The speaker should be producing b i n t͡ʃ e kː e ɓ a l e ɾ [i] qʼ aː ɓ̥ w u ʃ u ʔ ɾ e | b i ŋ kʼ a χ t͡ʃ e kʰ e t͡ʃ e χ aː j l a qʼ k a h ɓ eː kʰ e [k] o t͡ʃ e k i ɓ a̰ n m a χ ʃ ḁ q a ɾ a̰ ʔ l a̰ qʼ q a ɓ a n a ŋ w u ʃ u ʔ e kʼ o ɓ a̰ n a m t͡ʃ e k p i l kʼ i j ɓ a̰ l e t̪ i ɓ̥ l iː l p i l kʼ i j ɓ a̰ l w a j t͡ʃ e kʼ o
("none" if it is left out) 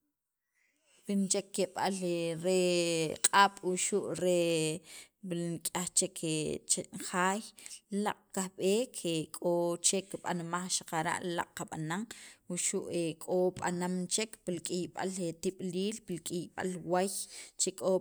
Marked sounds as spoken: e, kʼ

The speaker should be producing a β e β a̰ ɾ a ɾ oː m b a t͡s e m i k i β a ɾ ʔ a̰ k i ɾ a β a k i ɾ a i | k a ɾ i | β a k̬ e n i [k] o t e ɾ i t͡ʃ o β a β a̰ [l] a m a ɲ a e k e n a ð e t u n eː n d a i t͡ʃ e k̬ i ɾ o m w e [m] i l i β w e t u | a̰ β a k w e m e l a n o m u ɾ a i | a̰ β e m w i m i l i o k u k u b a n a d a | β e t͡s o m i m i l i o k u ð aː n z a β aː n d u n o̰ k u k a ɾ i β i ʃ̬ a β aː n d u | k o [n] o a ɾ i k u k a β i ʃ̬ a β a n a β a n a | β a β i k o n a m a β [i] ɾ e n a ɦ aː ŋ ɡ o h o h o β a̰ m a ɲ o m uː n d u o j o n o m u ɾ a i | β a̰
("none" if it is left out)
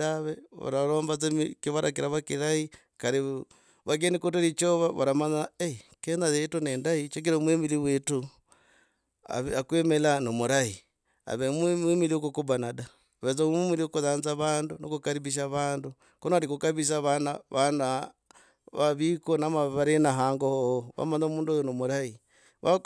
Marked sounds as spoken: k, ɾ, m, n, a

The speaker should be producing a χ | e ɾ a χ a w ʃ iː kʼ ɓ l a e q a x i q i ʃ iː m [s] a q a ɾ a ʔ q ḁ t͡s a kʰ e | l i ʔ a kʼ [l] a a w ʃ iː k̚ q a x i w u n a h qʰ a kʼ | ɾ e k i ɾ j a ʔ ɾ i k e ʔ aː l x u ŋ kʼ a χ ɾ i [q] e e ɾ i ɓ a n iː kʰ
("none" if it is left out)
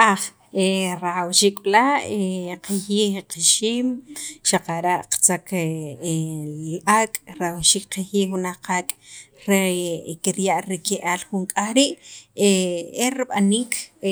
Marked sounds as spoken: ʃ, ɾ, ʔ

